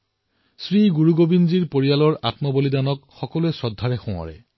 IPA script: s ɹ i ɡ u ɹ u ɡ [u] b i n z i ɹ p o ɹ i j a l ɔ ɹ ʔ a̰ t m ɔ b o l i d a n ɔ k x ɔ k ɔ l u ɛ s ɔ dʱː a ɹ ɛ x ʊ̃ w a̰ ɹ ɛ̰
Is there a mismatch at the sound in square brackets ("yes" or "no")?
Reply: yes